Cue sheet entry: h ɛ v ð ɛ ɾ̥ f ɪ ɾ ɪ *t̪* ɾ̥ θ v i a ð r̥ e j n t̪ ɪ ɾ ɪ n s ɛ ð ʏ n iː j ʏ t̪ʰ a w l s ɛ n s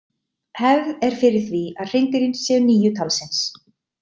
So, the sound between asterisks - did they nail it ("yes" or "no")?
no